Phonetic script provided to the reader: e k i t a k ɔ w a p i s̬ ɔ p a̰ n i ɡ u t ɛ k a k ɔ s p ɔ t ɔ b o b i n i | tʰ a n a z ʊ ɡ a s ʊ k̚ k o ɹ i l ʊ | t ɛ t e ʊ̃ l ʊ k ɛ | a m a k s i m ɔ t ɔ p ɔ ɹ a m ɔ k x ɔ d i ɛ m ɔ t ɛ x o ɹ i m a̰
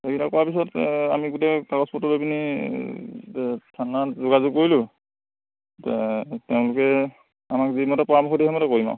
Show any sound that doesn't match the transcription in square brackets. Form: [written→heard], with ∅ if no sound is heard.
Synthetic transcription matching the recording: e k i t a k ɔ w a p i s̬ ɔ [p→t] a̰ [n→m] i ɡ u t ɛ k a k ɔ s p ɔ t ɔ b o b i n i | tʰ a n a z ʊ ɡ a [s→z] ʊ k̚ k o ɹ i l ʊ | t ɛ t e ʊ̃ l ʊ k ɛ | a m a k [s→z] i m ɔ t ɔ p ɔ ɹ a m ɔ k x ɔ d i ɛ m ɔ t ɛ [x→k] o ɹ i m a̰